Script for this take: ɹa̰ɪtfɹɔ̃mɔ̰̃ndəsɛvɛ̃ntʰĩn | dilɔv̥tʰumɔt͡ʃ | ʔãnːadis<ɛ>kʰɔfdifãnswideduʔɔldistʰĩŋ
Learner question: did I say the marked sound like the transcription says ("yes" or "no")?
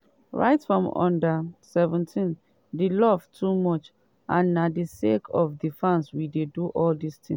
no